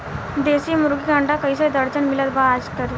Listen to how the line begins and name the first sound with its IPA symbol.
d̪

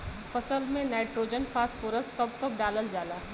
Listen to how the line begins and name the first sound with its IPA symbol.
f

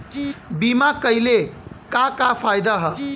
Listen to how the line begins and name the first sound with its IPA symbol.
b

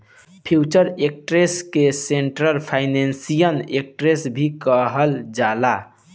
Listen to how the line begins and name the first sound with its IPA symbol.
pʰ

